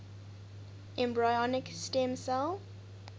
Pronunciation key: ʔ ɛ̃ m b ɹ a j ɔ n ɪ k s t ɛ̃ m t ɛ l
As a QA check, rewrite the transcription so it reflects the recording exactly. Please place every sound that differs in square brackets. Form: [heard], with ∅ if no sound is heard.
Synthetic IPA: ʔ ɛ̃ m b ɹ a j ɔ n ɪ k s t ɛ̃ m [s] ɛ l